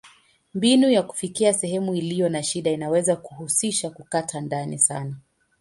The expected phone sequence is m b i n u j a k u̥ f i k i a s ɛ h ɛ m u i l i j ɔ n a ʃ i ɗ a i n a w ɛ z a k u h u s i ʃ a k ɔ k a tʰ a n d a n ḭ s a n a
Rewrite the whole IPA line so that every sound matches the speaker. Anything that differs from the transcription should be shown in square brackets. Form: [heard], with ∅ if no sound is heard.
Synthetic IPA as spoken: m b i n u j a k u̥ f i k i a s ɛ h ɛ m u i l i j ɔ n a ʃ i ɗ a i n a w ɛ z a k u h u s i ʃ a k [u] k a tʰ a n d a n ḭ s a n a